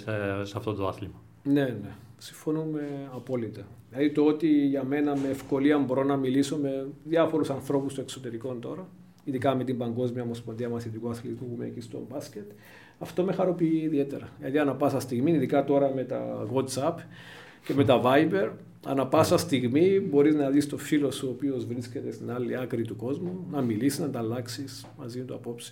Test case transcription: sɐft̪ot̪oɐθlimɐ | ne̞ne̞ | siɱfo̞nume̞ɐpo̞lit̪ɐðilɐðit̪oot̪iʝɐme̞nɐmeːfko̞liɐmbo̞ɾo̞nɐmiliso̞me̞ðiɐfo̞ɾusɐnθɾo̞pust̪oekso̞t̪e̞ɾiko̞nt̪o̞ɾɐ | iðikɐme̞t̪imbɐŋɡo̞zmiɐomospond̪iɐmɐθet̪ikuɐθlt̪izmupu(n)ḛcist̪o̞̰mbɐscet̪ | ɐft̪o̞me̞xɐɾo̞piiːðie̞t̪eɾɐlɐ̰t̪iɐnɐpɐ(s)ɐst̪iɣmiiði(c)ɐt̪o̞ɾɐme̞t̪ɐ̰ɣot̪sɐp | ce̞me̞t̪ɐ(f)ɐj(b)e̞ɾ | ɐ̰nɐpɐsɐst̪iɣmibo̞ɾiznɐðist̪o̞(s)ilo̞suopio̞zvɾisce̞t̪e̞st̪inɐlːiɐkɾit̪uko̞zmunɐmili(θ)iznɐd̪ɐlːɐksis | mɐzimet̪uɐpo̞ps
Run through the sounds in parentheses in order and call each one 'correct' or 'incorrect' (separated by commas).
incorrect, correct, incorrect, incorrect, correct, incorrect, incorrect